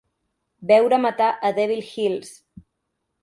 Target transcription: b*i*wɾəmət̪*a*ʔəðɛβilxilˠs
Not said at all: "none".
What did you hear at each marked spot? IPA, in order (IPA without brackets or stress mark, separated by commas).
ɛ, a